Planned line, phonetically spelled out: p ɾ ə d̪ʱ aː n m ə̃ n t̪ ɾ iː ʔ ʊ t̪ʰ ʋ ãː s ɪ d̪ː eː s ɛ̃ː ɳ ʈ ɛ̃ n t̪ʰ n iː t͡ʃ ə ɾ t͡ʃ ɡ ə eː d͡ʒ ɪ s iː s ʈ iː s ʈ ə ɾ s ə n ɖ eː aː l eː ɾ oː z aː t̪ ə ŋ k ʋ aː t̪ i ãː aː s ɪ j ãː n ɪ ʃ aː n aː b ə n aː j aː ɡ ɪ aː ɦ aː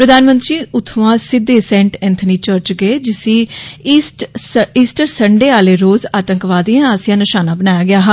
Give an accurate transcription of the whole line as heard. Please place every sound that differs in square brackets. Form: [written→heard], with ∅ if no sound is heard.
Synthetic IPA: p ɾ ə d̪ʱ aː n m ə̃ n t̪ ɾ iː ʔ ʊ t̪ʰ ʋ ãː s ɪ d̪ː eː s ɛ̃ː ɳ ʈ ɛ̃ n t̪ʰ n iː t͡ʃ ə ɾ t͡ʃ ɡ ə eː d͡ʒ ɪ s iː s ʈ iː s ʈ ə ɾ s ə [n→ɳ] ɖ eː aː l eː ɾ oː z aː t̪ ə ŋ k ʋ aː [t̪→d̪] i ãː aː s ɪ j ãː n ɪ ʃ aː n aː b ə n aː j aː ɡ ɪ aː ɦ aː